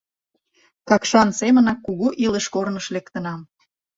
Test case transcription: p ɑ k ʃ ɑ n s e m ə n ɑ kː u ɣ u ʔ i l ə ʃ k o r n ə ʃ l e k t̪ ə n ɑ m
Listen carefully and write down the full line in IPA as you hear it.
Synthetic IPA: k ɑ k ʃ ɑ n s e m ə n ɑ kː u ɣ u ʔ i l ə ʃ k o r n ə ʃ l e k t̪ ə n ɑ m